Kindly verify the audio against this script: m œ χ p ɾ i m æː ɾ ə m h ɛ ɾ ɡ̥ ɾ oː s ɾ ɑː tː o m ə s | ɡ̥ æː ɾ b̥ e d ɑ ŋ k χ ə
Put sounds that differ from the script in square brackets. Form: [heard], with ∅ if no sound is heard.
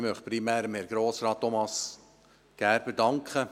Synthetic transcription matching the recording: m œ χ p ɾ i m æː ɾ ə m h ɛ ɾ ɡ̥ ɾ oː s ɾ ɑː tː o m [ɑ] s | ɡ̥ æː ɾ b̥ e d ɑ ŋ k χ ə